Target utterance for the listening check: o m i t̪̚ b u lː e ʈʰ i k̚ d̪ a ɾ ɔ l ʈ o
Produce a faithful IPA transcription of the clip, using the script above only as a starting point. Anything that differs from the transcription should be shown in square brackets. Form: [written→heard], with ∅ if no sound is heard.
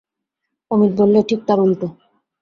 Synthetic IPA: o m i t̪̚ b [u→o] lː e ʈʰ i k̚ [d̪→t̪] a ɾ [ɔ→u] l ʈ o